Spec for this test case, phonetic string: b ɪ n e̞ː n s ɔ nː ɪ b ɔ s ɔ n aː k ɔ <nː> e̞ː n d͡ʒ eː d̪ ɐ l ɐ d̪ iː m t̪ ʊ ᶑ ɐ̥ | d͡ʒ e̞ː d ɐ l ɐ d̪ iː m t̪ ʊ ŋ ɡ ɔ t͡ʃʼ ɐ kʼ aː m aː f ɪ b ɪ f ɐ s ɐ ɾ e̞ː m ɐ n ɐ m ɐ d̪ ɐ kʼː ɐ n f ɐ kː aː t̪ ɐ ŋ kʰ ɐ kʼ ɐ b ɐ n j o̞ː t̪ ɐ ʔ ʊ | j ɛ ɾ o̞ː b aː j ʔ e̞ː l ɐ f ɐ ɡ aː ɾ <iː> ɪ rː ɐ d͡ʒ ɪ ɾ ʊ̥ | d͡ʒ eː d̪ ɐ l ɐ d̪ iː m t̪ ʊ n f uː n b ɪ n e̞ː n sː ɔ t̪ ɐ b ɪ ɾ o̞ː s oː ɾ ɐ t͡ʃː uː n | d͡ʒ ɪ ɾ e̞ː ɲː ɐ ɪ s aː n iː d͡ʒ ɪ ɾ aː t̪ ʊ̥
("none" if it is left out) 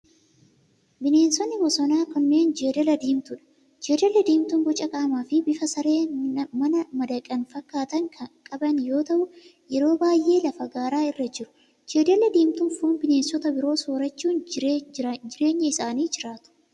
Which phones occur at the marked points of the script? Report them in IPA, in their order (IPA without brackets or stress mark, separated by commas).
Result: nː, aː